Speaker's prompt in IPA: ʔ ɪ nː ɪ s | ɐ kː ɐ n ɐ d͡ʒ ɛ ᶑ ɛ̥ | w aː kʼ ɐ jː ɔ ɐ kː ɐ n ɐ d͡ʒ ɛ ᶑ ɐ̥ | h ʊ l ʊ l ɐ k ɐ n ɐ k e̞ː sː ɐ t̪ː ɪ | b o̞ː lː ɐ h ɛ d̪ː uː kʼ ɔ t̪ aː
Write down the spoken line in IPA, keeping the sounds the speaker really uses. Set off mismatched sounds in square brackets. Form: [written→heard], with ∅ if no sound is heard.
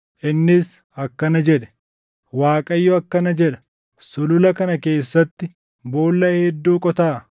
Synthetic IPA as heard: ʔ ɪ nː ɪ s | ɐ kː ɐ n ɐ d͡ʒ ɛ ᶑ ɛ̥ | w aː kʼ ɐ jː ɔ ɐ kː ɐ n ɐ d͡ʒ ɛ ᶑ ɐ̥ | [h→s] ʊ l ʊ l ɐ k ɐ n ɐ k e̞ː sː ɐ t̪ː ɪ | b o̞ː lː ɐ h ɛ d̪ː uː kʼ ɔ t̪ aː